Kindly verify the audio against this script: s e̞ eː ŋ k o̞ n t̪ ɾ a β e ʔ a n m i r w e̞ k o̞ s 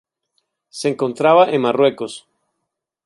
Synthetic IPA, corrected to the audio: s e̞ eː ŋ k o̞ n t̪ ɾ a β a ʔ e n m a r w e̞ k o̞ s